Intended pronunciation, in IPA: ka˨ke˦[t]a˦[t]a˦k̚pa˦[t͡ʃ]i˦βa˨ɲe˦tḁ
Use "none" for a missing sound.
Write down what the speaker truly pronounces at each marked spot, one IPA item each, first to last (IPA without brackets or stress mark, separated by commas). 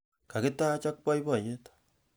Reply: t, t͡ʃ, none